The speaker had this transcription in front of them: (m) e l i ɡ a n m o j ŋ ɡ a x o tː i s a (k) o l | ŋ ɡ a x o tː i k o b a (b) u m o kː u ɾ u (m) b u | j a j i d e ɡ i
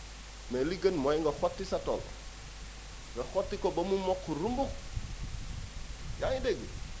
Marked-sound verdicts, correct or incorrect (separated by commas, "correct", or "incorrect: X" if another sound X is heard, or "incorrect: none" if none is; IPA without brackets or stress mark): correct, incorrect: t, incorrect: m, correct